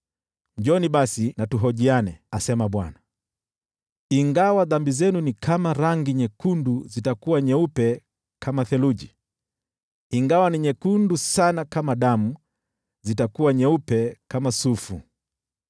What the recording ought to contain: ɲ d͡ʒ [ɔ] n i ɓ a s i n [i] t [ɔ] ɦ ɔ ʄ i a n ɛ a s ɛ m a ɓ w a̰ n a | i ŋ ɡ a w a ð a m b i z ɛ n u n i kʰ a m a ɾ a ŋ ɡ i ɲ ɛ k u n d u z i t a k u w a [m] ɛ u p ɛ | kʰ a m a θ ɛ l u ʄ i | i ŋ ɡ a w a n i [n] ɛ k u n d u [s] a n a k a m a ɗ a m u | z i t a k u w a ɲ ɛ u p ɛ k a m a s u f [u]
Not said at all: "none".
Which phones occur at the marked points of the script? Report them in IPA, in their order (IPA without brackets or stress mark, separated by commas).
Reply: ɔ, a, u, ɲ, ɲ, s, u